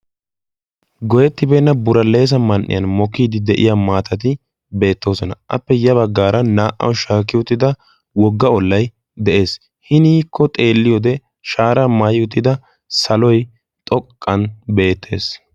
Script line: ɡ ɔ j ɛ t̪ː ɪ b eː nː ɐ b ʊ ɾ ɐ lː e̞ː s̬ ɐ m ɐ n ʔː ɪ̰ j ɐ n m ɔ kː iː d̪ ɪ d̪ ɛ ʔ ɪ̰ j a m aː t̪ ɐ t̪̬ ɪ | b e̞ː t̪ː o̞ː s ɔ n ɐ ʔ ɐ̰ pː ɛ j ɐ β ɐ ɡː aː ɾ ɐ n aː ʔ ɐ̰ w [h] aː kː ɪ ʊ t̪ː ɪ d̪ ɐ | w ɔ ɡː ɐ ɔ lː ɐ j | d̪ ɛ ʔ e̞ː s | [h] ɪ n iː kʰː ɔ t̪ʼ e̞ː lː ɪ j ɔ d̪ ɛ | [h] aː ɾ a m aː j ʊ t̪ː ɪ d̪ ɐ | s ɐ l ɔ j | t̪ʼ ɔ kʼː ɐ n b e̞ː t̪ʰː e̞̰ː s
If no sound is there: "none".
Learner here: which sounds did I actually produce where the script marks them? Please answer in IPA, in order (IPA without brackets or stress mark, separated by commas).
ʃ, h, ʃ